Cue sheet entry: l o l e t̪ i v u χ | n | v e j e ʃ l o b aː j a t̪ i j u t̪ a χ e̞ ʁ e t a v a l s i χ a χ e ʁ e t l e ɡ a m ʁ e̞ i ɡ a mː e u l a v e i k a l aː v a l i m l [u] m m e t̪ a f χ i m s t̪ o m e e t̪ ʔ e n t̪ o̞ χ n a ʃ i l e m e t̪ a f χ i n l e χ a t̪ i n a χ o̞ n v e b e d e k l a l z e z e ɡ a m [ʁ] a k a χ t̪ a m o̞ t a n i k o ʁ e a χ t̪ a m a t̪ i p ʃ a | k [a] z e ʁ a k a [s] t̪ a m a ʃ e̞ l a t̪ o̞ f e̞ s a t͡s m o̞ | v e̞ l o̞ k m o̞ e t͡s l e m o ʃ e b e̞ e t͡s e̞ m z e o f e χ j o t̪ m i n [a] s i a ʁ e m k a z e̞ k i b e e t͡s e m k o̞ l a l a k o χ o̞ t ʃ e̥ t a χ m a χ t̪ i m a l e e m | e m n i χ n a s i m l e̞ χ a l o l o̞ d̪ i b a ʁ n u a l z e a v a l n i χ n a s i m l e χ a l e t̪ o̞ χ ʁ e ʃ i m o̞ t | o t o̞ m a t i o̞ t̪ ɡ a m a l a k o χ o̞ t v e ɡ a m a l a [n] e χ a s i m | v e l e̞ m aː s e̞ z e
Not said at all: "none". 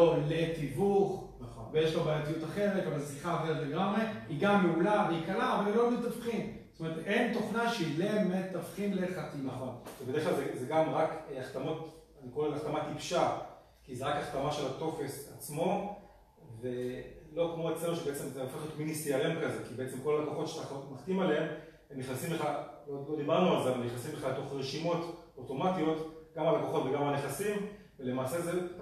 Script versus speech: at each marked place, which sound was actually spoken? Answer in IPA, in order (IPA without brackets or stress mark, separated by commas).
o, ʁ, i, χ, i, n